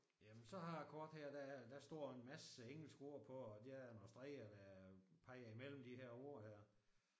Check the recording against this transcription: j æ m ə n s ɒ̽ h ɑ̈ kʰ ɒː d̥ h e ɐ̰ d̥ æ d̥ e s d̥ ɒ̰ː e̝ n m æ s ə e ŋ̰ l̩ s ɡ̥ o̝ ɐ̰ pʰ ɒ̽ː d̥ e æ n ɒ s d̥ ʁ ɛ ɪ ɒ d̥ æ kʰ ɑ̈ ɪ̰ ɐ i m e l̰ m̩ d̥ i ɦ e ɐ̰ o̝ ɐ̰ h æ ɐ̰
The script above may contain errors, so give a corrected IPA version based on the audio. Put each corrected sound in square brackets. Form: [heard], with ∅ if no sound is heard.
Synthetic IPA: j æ m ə n s ɒ̽ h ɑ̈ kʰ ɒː d̥ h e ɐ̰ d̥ æ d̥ [æ] s d̥ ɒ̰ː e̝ n m æ s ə e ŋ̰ l̩ s ɡ̥ o̝ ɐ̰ pʰ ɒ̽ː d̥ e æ n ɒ s d̥ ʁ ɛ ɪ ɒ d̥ æ [pʰ] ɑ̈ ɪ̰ ɐ i m e l̰ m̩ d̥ i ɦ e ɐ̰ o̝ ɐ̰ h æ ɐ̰